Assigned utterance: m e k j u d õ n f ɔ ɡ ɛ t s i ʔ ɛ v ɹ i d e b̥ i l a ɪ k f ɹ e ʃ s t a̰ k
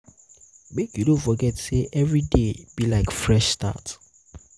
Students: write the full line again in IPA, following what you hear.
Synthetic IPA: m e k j u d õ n f ɔ ɡ ɛ t s e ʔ ɛ v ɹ i d e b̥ i l a ɪ k f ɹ ɛ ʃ s t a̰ t